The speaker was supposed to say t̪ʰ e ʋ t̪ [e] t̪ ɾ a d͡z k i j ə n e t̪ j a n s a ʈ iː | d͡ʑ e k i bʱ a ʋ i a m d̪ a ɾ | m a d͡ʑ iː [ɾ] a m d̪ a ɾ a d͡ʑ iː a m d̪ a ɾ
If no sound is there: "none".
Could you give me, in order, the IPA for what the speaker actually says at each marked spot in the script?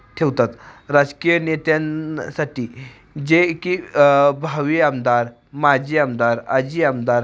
a, none

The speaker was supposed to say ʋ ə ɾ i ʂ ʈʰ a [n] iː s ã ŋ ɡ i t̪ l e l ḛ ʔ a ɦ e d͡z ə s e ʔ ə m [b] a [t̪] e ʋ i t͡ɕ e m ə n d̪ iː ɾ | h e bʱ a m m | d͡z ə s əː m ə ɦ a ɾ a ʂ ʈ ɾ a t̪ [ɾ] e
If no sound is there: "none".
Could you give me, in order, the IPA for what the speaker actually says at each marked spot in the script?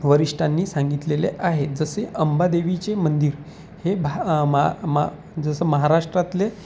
nː, b, d̪, l

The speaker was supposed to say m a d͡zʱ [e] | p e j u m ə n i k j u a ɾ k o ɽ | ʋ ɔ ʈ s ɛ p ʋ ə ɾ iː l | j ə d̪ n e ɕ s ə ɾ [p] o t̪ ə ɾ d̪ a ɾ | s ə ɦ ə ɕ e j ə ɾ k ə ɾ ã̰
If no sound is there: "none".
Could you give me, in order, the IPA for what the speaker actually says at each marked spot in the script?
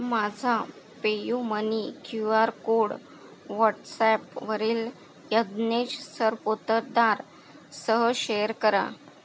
a, p

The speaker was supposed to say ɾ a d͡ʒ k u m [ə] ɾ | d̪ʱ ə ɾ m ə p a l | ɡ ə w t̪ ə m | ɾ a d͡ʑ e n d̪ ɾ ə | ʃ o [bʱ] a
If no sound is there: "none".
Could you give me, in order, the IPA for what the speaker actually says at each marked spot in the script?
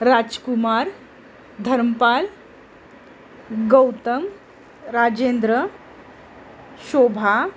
a, bʱ

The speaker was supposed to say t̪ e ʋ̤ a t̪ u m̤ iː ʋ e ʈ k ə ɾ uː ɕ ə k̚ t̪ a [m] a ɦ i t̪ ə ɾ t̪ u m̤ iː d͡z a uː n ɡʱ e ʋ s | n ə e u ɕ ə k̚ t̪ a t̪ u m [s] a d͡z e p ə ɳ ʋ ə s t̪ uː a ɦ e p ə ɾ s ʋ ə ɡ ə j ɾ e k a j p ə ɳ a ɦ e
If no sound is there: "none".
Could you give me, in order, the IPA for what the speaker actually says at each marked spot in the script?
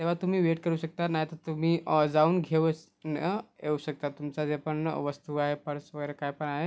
n, t͡s

